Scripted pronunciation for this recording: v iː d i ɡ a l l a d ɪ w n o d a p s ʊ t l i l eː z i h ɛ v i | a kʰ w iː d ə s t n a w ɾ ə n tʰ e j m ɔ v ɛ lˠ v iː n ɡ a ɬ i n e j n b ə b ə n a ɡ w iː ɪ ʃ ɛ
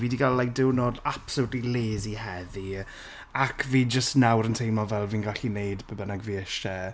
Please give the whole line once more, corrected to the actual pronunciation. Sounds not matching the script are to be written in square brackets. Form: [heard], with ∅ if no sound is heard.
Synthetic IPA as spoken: v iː d i ɡ a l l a d ɪ w n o d a p s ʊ t l i l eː z i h ɛ [ð] i | a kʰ [v] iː [d͡ʒ] ə s t n a w ɾ ə n tʰ e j m ɔ v ɛ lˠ v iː n ɡ a ɬ i n e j [d] b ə b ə n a ɡ [v] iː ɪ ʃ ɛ